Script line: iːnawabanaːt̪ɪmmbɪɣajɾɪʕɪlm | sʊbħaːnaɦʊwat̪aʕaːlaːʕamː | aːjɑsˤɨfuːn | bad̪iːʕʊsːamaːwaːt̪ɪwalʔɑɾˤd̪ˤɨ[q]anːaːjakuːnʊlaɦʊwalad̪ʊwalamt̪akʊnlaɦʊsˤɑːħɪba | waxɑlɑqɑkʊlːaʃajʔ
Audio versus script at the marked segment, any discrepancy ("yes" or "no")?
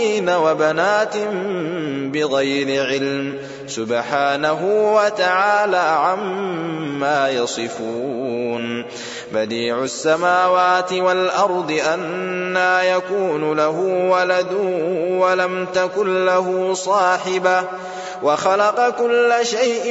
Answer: yes